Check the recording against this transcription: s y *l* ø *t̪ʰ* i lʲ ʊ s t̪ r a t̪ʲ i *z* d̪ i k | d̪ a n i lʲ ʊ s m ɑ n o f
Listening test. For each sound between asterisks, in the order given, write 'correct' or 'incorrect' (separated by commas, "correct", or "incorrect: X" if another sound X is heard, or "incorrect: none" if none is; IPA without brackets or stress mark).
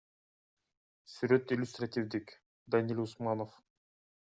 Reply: incorrect: ɾ, incorrect: t̪, incorrect: v